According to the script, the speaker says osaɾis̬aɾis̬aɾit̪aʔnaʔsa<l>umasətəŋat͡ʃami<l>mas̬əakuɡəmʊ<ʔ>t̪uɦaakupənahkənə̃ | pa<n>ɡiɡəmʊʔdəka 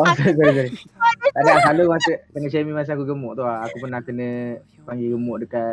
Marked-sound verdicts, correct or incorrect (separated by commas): correct, incorrect, correct, incorrect